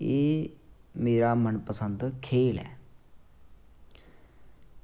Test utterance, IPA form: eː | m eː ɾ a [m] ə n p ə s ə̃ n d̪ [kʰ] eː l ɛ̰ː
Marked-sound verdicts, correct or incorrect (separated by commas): correct, correct